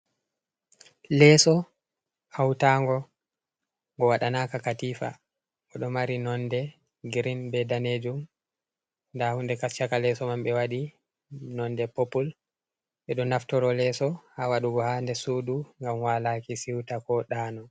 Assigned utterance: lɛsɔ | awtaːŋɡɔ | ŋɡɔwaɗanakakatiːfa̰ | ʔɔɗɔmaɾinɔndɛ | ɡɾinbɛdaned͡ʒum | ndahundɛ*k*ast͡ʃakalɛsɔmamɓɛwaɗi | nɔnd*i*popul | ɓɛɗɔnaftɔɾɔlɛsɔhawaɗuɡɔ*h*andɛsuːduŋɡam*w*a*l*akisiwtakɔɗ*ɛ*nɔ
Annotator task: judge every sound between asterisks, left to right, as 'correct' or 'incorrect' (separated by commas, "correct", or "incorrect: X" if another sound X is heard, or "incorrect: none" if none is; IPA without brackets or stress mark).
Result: correct, incorrect: ɛ, correct, correct, correct, incorrect: a